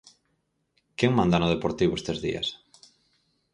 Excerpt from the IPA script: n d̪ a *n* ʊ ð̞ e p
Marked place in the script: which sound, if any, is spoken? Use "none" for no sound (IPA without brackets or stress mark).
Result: n